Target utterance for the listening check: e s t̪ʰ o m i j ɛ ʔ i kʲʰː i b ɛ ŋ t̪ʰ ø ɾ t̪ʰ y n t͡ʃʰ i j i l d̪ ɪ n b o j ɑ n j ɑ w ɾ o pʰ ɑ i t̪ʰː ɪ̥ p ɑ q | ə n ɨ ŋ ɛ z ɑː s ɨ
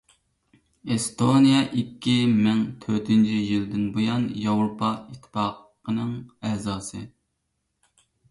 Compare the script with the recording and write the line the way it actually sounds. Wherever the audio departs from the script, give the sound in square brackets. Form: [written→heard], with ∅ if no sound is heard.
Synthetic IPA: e s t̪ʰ o [m→n] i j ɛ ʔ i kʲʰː i [b→m] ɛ ŋ t̪ʰ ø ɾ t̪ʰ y n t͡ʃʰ i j i l d̪ ɪ n b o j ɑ n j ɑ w ɾ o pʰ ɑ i t̪ʰː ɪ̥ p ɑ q | ə n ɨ ŋ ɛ z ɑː s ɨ